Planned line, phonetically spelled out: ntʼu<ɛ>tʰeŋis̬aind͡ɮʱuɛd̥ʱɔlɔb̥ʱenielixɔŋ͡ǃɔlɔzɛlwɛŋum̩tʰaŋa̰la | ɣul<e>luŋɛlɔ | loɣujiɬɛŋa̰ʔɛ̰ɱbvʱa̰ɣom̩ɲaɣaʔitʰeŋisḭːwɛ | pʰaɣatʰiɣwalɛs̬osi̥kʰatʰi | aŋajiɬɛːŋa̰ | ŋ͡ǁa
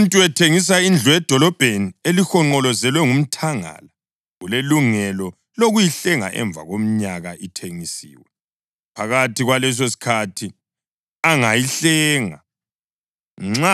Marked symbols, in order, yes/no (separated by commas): yes, yes